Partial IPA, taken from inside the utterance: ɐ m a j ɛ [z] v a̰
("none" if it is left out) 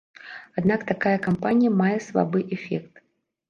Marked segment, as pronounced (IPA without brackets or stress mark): s